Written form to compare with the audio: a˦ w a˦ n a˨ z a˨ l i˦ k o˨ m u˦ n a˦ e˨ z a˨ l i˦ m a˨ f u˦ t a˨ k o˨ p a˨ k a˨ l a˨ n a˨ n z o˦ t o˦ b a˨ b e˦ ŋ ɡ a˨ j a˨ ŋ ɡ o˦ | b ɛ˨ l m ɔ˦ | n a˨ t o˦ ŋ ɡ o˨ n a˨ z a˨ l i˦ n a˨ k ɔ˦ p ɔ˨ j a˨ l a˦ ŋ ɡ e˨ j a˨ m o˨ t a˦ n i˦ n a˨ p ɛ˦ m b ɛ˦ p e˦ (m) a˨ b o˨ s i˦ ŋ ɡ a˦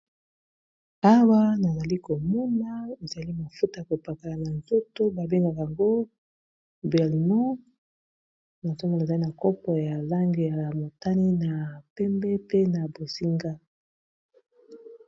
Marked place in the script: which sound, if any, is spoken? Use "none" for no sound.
n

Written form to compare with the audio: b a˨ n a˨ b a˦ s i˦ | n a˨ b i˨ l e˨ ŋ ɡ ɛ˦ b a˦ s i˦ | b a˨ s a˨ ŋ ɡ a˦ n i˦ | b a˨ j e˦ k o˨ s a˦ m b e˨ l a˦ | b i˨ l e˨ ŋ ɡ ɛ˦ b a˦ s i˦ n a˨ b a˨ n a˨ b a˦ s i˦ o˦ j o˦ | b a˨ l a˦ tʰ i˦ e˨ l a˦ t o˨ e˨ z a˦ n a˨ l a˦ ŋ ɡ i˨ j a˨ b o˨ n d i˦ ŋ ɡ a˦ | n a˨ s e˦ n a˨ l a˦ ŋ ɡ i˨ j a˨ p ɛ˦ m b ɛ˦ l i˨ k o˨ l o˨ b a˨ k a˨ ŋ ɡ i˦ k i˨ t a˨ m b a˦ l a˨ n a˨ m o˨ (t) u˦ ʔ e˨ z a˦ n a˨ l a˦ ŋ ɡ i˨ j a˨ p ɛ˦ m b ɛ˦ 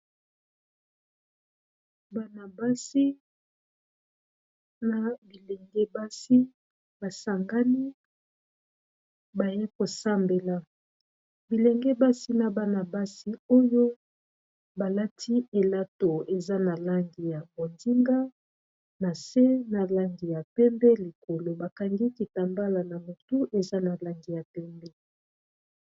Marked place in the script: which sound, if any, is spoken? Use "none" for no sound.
t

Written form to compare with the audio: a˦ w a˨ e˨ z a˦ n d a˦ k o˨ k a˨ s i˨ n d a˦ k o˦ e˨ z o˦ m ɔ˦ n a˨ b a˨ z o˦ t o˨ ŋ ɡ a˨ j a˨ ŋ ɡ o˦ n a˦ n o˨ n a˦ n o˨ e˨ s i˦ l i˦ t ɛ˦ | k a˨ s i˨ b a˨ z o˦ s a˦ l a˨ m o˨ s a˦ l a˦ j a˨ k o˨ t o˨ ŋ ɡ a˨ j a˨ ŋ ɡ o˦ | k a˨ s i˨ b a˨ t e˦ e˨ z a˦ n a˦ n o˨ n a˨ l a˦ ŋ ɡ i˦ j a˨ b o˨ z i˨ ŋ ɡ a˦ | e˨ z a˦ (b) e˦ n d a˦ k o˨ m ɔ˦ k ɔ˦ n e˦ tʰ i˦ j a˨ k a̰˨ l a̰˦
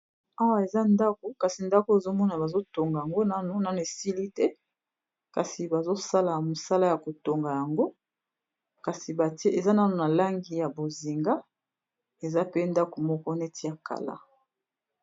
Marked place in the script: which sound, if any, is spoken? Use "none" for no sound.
p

